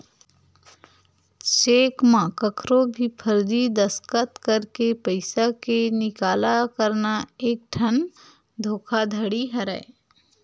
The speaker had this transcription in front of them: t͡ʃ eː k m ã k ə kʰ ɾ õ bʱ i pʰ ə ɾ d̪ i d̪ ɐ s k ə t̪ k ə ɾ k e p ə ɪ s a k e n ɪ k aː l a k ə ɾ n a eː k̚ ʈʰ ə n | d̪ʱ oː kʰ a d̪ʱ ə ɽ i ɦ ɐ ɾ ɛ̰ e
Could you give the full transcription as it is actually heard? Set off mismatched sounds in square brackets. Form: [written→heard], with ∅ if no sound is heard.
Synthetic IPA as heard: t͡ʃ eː k m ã k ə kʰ ɾ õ bʱ i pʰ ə ɾ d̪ i d̪ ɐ s k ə t̪ k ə ɾ k e p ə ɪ s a k e n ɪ k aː l a k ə ɾ n a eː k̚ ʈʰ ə n | d̪ʱ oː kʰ a d̪ʱ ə ɽ i ɦ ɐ ɾ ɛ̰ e